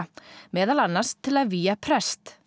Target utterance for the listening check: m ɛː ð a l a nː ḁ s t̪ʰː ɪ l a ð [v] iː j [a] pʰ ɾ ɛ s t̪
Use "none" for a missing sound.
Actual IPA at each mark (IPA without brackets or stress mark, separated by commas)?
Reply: v, a